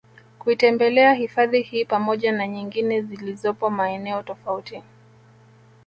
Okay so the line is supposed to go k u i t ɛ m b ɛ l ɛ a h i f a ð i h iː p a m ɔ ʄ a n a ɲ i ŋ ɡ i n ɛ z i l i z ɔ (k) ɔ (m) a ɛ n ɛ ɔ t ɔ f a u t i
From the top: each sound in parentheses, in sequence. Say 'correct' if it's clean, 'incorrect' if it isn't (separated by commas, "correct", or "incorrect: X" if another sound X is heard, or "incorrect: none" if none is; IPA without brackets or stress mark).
incorrect: p, correct